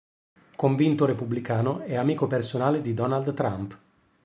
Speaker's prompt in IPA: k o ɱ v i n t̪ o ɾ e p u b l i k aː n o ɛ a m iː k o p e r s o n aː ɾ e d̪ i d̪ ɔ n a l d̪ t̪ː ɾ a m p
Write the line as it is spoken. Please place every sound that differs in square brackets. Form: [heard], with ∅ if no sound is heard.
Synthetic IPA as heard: k o ɱ v i n t̪ o ɾ e p u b l i k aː n o ɛ a m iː k o p e r s o n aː [l] e d̪ i d̪ ɔ n a l d̪ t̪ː ɾ a m p